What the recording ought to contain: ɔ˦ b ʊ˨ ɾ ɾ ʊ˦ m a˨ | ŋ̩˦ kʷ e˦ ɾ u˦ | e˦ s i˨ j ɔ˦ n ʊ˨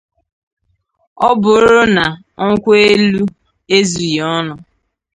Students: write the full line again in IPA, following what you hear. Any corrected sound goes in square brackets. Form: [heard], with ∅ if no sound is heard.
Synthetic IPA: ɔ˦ b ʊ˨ ɾ ɾ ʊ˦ [n] a˨ | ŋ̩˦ kʷ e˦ [l] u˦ | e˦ [z] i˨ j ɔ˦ n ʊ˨